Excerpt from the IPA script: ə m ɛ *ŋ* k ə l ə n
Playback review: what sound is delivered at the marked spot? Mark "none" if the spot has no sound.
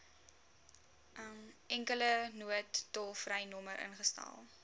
ŋ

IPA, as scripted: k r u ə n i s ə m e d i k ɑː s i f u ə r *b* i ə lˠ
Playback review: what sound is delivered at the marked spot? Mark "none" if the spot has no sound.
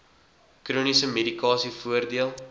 d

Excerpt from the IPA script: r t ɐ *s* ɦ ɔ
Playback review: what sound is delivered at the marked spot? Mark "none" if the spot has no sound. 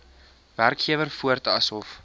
s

